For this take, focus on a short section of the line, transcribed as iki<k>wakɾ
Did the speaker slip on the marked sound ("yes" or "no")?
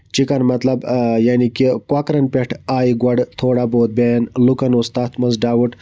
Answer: no